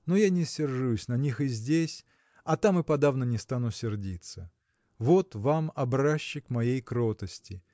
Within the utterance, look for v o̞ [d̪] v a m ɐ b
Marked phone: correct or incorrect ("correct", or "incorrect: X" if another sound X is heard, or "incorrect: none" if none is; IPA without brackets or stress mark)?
incorrect: t̪